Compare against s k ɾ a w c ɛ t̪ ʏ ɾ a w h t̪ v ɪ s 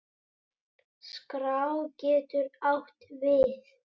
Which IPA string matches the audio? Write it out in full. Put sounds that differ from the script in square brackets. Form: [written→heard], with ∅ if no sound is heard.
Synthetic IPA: s k ɾ a w c [ɛ→ɛː] t̪ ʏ ɾ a w h t̪ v ɪ [s→θ]

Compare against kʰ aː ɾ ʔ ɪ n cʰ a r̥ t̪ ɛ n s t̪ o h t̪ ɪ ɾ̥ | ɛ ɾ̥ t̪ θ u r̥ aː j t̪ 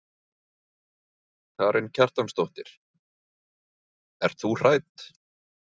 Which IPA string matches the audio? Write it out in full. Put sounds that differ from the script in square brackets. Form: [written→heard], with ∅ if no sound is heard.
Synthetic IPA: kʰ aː ɾ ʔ ɪ n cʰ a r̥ t̪ [ɛ→a] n s t̪ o h t̪ ɪ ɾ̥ | ɛ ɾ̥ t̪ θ u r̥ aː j t̪

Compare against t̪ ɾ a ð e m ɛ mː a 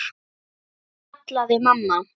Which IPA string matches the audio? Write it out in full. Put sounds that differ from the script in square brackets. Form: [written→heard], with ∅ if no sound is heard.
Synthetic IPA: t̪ [ɾ→l] a ð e m [ɛ→a] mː a

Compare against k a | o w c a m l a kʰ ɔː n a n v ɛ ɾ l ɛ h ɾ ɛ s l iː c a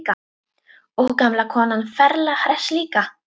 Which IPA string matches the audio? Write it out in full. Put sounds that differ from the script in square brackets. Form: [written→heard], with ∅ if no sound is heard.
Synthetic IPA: k a | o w [c→k] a m l a kʰ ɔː n a n [v→f] ɛ ɾ l [ɛ→a] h ɾ ɛ s l iː [c→k] a

